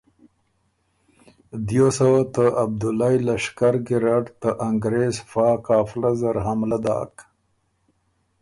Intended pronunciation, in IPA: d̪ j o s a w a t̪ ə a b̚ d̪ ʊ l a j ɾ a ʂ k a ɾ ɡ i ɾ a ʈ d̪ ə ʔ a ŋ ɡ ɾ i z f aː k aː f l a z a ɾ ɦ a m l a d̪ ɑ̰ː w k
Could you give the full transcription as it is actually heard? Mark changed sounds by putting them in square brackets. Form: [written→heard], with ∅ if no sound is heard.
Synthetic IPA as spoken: d̪ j o s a w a t̪ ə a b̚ d̪ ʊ l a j [ɾ→l] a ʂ k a ɾ ɡ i ɾ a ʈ [d̪→t̪] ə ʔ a ŋ ɡ ɾ [i→e] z f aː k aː f l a z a ɾ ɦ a m l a d̪ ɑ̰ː [w→∅] k